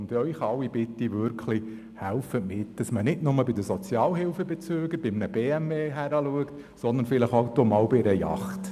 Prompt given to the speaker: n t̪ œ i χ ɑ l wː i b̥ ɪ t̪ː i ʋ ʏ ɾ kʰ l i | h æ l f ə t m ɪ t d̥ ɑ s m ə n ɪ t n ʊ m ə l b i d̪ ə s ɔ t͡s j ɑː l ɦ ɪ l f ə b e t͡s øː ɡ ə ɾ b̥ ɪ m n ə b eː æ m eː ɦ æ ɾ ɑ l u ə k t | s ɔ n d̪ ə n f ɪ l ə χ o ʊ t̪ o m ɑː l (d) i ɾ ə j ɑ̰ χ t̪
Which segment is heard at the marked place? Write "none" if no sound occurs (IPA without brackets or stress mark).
b